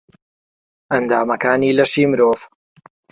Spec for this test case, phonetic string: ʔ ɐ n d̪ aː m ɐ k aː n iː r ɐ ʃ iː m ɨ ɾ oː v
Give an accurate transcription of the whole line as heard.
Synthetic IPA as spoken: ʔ ɐ n d̪ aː m ɐ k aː n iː l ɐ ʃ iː m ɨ ɾ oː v